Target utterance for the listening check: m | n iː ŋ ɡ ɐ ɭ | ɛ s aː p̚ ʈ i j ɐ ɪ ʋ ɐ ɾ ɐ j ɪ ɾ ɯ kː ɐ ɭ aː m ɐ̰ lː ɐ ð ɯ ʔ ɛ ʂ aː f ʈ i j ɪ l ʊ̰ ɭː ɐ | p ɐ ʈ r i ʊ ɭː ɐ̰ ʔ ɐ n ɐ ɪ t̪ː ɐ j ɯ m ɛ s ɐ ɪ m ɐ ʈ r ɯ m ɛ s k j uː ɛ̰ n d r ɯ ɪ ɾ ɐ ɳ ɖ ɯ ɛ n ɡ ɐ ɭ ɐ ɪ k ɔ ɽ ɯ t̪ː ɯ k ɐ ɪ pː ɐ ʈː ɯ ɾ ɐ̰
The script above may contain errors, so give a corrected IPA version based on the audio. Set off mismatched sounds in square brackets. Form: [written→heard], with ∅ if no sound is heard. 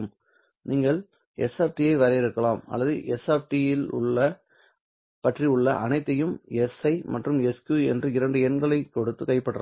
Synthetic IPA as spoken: m | n iː ŋ ɡ ɐ ɭ | ɛ s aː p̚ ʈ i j ɐ ɪ ʋ ɐ ɾ ɐ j ɪ ɾ ɯ kː ɐ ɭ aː m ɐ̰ lː ɐ ð ɯ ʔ ɛ [ʂ→s] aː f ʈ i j ɪ l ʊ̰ ɭː ɐ | p ɐ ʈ r i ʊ ɭː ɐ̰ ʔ ɐ n ɐ ɪ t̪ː ɐ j ɯ m ɛ s ɐ ɪ m ɐ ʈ r ɯ m ɛ s k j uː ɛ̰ n d r ɯ ɪ ɾ ɐ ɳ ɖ ɯ ɛ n ɡ ɐ ɭ ɐ ɪ k ɔ ɽ ɯ t̪ː ɯ k ɐ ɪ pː ɐ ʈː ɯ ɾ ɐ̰